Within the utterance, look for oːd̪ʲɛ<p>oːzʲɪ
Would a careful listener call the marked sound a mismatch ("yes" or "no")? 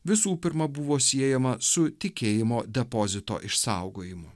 no